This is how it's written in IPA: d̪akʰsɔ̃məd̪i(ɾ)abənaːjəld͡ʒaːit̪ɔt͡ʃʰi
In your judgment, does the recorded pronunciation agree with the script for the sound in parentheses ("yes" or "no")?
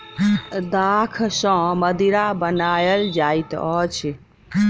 yes